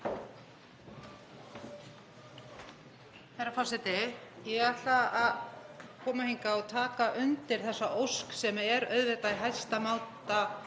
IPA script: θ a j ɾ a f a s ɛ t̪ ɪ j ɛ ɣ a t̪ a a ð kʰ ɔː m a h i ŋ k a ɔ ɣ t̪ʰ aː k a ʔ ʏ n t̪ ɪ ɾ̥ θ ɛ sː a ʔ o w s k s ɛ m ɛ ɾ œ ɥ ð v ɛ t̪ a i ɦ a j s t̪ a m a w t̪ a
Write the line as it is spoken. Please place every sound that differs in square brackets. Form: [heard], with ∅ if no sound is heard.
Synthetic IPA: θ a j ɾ a f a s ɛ t̪ ɪ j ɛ ɣ a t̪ a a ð kʰ ɔː m a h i ŋ k a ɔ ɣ t̪ʰ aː k a ʔ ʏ n t̪ ɪ ɾ̥ θ ɛ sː a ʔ o w s k s ɛ m ɛ ɾ œ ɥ ð v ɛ t̪ a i ɦ a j s t̪ a m a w t̪ a

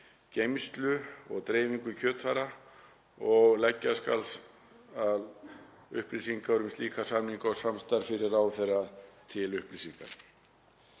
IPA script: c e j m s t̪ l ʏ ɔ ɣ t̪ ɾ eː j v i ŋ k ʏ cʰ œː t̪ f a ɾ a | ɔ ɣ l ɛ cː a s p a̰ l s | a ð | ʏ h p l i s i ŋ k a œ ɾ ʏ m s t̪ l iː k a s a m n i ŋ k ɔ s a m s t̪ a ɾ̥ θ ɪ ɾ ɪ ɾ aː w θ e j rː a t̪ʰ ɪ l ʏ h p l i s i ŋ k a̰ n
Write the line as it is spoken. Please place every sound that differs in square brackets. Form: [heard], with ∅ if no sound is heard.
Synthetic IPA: c e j m s t̪ l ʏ ɔ ɣ t̪ ɾ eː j v i ŋ k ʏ cʰ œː t̪ f a ɾ a | ɔ ɣ l ɛ cː a s [k] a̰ l s | a ð | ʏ h p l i s i ŋ k a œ ɾ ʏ m s t̪ l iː k a s a m n i ŋ k ɔ s a m s t̪ a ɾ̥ [f] ɪ ɾ ɪ ɾ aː w θ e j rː a t̪ʰ ɪ l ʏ h p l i s i ŋ k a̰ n

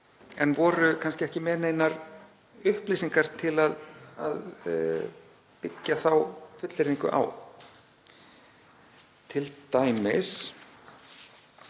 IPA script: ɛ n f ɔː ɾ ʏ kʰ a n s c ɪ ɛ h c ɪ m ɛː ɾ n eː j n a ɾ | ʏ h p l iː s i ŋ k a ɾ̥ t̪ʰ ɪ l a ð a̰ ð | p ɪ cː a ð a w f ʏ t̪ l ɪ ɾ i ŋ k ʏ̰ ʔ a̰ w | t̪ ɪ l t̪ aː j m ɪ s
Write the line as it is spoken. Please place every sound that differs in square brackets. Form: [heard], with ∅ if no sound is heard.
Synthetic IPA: ɛ n [v] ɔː ɾ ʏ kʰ a n s c ɪ ɛ h c ɪ m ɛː ɾ n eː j n a ɾ | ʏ h p l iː s i ŋ k a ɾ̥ t̪ʰ ɪ l a ð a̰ ð | p ɪ cː a [θ] a w f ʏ t̪ l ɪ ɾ i ŋ k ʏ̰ ʔ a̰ w | [t̪ʰ] ɪ l t̪ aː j m ɪ s

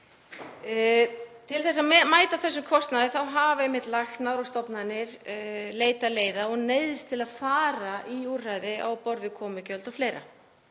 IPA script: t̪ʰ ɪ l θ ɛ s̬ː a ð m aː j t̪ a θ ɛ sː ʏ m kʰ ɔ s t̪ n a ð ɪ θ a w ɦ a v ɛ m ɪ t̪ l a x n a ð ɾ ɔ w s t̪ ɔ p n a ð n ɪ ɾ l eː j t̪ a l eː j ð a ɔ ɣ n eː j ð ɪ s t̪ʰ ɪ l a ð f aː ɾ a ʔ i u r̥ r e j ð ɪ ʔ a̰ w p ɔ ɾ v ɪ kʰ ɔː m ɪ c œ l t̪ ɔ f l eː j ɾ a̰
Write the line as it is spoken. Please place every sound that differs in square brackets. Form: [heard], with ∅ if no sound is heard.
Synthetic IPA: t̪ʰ ɪ l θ ɛ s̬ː a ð m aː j t̪ a θ ɛ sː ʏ m kʰ ɔ s t̪ n a ð ɪ θ a w ɦ a v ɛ m ɪ t̪ l a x n a ð ɾ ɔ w s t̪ ɔ p n a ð n ɪ ɾ l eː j t̪ a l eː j ð a ɔ ɣ n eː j ð ɪ s t̪ʰ ɪ l a ð f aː ɾ a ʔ i u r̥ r [a] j ð ɪ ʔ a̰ w p ɔ ɾ v ɪ kʰ ɔː m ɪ c œ l t̪ ɔ f l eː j ɾ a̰

